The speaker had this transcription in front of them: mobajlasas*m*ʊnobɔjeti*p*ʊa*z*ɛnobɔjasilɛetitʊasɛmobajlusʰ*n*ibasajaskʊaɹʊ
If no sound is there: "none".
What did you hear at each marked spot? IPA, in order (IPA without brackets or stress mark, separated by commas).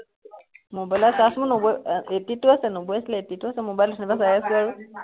m, t, s, n